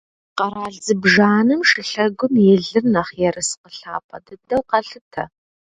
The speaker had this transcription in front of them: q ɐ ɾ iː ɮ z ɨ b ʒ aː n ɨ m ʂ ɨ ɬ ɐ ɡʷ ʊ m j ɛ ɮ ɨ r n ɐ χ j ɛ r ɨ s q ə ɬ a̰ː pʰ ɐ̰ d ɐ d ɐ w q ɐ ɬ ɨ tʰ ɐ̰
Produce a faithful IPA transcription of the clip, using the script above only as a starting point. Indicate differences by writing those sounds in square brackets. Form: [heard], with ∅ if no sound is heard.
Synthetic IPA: q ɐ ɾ [aː] ɮ z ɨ b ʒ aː n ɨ m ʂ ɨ ɬ ɐ ɡʷ ʊ m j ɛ ɮ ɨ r n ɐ χ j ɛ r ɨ s q ə ɬ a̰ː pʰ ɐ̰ d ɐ d ɐ w q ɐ ɬ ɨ tʰ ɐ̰